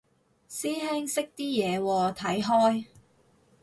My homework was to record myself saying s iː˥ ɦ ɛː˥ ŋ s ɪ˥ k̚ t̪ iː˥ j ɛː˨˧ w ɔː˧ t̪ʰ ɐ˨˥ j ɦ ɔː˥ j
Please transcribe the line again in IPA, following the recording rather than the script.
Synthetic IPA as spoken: s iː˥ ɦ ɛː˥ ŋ s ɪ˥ k̚ t̪ iː˥ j ɛː˨˧ w ɔː˧ t̪ʰ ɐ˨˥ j ɦ ɔː˥ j